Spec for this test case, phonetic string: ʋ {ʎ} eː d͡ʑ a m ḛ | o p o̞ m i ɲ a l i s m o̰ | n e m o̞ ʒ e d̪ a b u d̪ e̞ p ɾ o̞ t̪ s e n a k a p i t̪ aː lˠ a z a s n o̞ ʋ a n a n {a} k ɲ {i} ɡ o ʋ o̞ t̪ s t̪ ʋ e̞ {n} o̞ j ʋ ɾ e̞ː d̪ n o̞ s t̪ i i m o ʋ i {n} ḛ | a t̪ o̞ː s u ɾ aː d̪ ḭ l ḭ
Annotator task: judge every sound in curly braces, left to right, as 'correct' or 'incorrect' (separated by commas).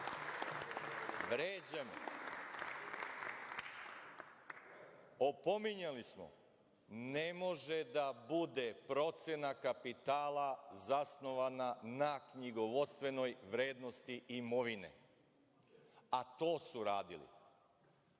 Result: incorrect, correct, correct, correct, correct